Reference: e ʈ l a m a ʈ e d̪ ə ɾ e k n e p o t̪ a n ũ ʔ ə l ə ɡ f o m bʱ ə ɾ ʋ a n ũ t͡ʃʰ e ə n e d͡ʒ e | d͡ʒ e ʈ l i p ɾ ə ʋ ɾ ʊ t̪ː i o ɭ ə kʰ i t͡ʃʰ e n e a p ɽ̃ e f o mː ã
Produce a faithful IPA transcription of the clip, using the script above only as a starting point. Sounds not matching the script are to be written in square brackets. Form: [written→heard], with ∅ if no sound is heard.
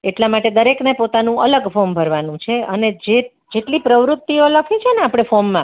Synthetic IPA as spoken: e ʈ l a m a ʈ e d̪ ə ɾ e k n e p o t̪ a n ũ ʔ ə l ə ɡ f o m bʱ ə ɾ ʋ a n ũ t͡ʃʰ e ə n e d͡ʒ e | d͡ʒ e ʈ l i p ɾ ə ʋ ɾ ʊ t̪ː i o [ɭ→l] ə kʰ i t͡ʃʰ e n e a p ɽ̃ e f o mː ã